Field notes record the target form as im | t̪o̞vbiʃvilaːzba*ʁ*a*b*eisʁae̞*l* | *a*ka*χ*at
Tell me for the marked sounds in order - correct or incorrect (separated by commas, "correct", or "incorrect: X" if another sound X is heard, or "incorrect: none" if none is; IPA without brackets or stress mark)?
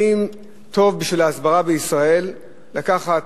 correct, correct, incorrect: lː, correct, correct